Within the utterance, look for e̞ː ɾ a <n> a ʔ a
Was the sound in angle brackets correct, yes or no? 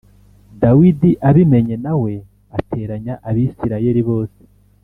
no